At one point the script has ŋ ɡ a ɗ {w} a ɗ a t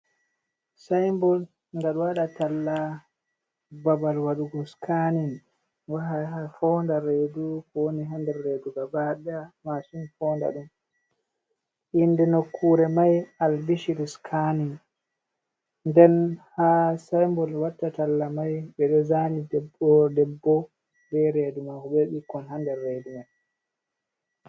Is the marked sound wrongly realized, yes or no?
no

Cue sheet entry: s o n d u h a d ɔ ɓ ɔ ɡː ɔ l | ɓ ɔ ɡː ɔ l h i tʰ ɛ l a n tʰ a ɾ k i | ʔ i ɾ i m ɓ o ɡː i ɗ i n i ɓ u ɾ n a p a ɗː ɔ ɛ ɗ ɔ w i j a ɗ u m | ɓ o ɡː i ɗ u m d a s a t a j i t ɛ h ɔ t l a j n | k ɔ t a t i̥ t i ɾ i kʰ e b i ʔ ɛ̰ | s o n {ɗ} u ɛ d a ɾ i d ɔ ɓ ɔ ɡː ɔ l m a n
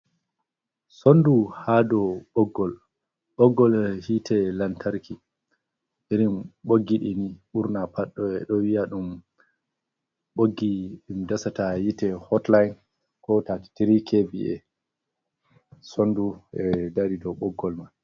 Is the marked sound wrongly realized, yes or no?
yes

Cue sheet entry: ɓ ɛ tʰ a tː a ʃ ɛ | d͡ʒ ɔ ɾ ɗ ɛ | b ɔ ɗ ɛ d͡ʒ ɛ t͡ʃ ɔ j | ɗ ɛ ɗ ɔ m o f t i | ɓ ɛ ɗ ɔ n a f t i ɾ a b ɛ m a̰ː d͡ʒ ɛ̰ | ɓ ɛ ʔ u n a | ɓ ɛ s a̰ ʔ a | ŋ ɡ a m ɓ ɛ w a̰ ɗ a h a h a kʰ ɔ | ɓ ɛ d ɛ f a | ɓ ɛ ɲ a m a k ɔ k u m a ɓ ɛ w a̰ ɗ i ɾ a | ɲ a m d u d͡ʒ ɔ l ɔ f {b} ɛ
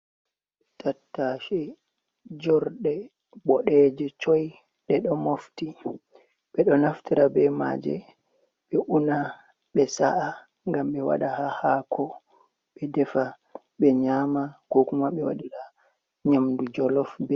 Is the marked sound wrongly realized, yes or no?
no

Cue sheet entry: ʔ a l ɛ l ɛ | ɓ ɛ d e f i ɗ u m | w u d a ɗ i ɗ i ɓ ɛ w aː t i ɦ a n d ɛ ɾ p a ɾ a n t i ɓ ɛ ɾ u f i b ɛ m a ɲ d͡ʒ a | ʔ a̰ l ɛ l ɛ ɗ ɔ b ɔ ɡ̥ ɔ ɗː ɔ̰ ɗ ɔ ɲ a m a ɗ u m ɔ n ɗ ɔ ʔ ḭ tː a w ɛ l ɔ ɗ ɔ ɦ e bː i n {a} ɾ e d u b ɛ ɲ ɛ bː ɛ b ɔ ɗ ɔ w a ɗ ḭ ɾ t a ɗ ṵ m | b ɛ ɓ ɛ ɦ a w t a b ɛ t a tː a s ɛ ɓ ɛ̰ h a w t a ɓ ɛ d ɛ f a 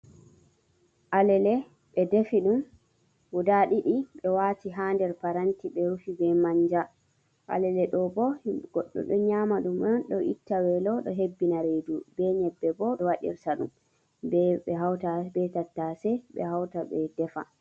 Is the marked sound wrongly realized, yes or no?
no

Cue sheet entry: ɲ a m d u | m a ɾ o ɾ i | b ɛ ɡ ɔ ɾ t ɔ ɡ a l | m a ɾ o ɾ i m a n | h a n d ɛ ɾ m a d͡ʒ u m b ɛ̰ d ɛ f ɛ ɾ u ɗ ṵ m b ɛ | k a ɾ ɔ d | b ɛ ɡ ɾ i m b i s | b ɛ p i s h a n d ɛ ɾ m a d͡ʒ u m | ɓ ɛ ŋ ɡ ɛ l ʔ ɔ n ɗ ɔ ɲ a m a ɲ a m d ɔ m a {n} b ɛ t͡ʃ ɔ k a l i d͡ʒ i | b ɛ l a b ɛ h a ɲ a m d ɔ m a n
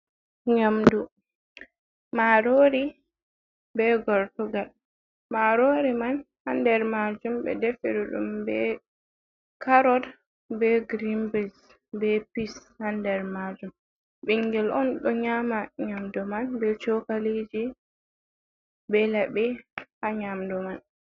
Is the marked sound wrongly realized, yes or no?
no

